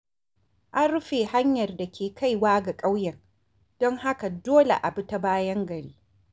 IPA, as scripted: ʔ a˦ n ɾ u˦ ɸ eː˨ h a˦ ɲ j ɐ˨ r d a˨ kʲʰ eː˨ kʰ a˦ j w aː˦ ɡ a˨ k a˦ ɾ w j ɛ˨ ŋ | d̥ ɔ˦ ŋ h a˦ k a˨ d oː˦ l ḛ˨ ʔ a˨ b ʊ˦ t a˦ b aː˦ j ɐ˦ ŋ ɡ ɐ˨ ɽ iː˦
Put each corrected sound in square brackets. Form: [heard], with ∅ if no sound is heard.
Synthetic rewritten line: ʔ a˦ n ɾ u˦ ɸ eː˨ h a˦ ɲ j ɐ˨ r d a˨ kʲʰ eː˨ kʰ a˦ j w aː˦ ɡ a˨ [kʼ] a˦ [∅] w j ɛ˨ ŋ | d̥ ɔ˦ ŋ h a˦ k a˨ d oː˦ l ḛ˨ ʔ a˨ b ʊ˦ t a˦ b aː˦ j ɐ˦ ŋ ɡ ɐ˨ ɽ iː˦